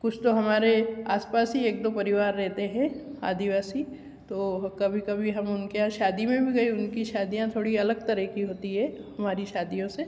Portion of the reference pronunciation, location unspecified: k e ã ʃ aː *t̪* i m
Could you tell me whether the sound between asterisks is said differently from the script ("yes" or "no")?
yes